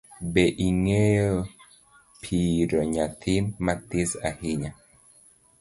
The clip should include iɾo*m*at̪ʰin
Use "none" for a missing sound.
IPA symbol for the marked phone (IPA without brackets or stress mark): ɲ